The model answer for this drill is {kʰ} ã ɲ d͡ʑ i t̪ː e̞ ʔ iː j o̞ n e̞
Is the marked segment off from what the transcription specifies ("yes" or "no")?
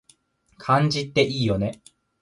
no